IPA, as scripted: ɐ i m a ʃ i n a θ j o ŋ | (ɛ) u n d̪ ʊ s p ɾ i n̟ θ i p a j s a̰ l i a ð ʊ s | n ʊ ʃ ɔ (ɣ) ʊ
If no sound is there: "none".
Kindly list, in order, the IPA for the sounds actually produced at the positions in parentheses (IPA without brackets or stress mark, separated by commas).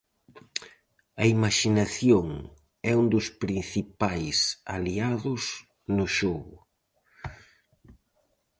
ɛ, ɣ